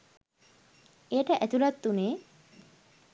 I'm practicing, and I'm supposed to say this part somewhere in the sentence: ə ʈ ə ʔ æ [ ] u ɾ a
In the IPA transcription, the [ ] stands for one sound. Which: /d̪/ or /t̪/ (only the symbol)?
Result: t̪